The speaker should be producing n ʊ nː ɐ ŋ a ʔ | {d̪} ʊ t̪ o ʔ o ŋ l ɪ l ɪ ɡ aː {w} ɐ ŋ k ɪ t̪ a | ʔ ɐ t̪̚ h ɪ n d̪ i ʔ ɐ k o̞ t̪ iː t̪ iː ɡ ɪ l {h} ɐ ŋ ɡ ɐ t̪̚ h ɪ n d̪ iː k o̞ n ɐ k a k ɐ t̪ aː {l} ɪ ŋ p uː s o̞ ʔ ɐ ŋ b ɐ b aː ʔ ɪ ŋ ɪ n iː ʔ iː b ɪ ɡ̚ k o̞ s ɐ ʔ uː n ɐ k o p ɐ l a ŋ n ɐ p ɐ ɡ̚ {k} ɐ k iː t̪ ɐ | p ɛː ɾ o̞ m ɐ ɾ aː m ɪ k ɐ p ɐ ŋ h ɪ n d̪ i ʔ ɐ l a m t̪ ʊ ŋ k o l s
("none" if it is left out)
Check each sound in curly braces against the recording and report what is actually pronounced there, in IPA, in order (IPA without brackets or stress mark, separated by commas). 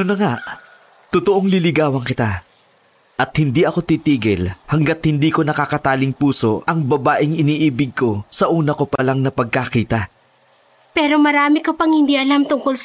t̪, w, h, l, k